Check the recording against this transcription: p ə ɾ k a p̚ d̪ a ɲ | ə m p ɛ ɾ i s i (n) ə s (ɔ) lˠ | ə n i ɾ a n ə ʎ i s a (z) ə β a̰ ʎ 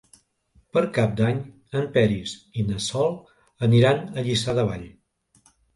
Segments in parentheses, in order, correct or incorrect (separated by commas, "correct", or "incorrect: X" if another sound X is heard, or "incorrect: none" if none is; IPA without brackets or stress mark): correct, correct, incorrect: ð